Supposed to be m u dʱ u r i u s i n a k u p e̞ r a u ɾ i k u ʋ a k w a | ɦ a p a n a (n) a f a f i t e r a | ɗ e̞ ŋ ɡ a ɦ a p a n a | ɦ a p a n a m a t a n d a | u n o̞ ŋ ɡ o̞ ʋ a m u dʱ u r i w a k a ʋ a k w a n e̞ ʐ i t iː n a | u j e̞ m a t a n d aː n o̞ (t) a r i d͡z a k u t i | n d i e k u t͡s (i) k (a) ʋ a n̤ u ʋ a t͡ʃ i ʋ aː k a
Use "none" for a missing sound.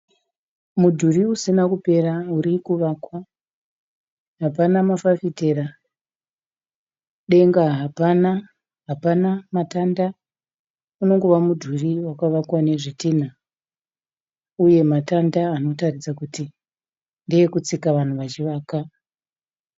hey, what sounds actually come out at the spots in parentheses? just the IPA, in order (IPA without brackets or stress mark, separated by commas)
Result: m, t, i, a